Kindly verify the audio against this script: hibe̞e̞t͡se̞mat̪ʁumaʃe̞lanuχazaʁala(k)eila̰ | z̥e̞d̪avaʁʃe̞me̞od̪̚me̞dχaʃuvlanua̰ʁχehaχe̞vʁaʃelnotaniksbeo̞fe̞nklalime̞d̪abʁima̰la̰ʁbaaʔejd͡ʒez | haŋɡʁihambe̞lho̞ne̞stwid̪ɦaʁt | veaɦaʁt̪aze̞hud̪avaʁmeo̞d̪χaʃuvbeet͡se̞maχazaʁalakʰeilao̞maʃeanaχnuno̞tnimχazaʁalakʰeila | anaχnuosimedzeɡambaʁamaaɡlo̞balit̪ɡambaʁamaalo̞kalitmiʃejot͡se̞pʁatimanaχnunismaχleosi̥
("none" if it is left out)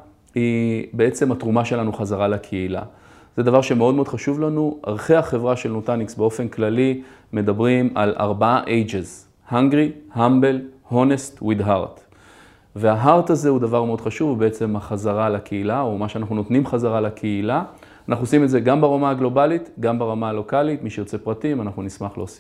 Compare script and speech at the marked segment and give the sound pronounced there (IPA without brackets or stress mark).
kʰ